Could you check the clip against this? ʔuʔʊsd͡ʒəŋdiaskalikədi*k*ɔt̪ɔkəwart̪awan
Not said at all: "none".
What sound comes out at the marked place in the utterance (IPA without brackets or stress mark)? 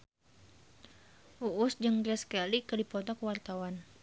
p